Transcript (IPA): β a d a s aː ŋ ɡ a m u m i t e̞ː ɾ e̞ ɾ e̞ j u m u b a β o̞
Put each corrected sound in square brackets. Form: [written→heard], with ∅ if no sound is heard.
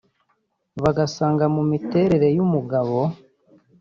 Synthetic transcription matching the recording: β a [d→ɡ] a s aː ŋ ɡ a m u m i t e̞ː ɾ e̞ ɾ e̞ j u m u [b→ɡ] a β o̞